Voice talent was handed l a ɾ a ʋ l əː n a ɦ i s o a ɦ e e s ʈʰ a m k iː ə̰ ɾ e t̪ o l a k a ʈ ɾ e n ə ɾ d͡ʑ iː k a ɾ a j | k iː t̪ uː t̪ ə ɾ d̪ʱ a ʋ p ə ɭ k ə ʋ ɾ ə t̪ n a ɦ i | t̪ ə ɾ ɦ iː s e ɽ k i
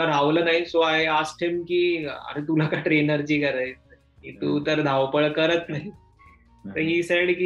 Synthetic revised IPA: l a ɾ a ʋ l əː n a ɦ i s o a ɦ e a s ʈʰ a m k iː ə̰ ɾ e t̪ u l a k a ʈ ɾ e n ə ɾ d͡ʑ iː k ə ɾ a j | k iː t̪ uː t̪ ə ɾ d̪ʱ a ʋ p ə ɭ k ə ɾ ə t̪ n a ɦ i | t̪ ə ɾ ɦ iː s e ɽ k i